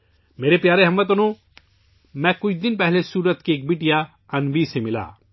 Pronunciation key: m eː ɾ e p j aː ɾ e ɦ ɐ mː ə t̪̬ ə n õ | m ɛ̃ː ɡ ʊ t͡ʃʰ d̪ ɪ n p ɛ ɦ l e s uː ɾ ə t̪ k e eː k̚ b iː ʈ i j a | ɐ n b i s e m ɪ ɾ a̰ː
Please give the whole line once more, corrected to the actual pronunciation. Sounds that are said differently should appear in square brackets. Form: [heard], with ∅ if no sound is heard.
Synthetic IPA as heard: m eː ɾ e p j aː ɾ e ɦ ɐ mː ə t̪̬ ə n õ | m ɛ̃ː [k] ʊ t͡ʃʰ d̪ ɪ n p ɛ ɦ l e s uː ɾ ə t̪ k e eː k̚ b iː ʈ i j a | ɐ n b i s e m ɪ [l] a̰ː